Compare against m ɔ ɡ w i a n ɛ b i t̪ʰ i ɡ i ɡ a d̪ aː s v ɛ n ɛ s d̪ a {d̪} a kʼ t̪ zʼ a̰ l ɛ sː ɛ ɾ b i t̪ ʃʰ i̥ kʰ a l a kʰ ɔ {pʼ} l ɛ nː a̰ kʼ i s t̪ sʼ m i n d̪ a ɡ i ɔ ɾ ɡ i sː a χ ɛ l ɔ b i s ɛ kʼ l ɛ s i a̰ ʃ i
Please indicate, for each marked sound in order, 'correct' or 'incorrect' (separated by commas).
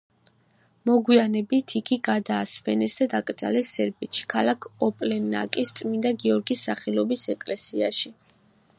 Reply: correct, correct